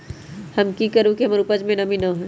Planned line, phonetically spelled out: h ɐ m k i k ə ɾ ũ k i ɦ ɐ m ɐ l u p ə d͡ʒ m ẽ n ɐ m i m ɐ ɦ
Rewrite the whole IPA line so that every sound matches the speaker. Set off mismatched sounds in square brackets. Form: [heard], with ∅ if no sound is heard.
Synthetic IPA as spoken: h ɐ m k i k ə ɾ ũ k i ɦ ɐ m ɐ [ɾ] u p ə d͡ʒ m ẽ n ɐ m i [n] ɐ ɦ